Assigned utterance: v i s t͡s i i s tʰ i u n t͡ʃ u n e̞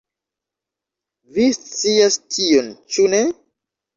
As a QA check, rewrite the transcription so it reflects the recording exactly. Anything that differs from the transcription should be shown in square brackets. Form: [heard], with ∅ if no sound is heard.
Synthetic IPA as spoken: v i s t͡s i [a] s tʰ i [o] n t͡ʃ u n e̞